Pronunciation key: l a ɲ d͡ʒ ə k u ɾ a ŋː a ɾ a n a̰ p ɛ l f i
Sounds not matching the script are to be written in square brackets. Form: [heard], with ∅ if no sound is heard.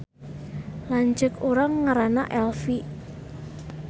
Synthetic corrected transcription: l a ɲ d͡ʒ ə k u ɾ a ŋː a ɾ a n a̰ [ʔ] ɛ l f i

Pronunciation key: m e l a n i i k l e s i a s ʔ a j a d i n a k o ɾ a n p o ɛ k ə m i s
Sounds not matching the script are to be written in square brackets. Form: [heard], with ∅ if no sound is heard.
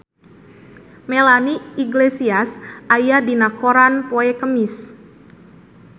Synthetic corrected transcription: m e l a n i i [ɡ] l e s i a s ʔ a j a d i n a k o ɾ a n p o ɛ k ə m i s

